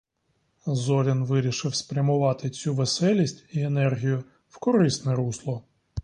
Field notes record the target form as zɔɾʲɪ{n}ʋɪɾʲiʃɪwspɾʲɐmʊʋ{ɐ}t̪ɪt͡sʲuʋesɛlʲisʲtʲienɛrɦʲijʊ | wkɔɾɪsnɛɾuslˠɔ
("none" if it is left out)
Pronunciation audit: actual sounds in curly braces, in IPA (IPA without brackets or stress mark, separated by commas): n, ɑ